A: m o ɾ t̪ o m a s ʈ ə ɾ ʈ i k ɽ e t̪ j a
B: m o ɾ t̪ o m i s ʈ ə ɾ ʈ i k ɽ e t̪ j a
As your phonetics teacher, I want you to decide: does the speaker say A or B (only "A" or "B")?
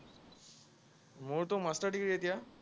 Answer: A